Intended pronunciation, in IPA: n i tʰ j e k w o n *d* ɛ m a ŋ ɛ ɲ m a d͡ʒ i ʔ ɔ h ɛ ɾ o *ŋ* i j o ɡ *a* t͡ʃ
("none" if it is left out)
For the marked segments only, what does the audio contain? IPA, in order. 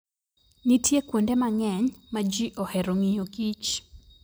d, ŋ, i

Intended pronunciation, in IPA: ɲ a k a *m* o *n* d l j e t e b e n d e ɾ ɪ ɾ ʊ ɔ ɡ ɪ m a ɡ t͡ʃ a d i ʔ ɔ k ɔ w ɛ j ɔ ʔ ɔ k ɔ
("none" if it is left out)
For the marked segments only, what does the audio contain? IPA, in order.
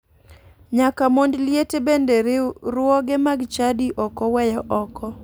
m, n

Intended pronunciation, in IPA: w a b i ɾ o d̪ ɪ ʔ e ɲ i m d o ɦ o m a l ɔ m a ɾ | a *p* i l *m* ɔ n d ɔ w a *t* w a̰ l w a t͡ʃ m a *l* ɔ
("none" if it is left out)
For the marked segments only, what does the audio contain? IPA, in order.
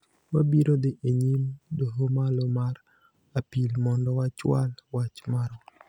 p, m, t͡ʃ, ɾ

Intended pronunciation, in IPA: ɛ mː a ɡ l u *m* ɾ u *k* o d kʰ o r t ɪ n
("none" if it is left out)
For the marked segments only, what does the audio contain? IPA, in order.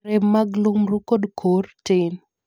m, k

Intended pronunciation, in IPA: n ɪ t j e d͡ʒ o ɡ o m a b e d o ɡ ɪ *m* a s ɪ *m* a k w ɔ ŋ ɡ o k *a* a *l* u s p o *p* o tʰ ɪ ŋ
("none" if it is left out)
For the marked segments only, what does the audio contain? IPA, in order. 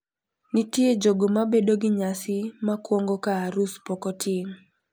ɲ, m, a, ɾ, k

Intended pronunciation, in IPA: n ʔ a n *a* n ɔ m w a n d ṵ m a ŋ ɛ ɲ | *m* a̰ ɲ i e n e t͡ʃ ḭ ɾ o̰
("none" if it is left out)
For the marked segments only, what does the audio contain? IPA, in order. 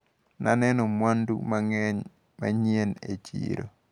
ɛ, m

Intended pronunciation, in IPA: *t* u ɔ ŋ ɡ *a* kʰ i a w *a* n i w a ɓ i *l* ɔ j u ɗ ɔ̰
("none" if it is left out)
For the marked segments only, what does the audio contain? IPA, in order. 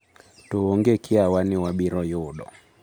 t, ɛ, a, ɾ

